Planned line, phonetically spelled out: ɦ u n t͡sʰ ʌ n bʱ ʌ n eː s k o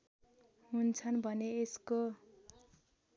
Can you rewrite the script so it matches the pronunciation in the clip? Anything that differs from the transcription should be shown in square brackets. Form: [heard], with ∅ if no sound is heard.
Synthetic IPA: ɦ u n t͡sʰ ʌ n bʱ ʌ n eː s k o